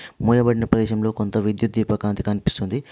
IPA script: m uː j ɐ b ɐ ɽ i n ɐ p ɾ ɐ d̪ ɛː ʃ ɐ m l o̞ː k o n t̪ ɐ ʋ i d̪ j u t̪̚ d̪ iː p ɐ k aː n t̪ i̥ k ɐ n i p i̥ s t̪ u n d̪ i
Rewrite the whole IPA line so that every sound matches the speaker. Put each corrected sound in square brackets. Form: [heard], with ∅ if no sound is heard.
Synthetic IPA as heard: m uː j ɐ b ɐ ɽ i n ɐ p ɾ ɐ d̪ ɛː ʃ ɐ m l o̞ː k o n t̪ ɐ ʋ i d̪ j u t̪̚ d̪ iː p ɐ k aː n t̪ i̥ k ɐ n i p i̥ s t̪ u n d̪ i